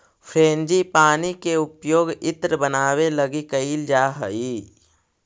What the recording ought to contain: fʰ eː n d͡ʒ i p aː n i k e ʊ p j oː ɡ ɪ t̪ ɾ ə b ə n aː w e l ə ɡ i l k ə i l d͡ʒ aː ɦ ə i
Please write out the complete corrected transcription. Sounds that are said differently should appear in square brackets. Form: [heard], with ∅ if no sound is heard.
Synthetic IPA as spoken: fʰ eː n d͡ʒ i p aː n i k e ʊ p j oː ɡ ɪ t̪ ɾ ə b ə n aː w e l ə ɡ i [∅] k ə i l d͡ʒ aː ɦ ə i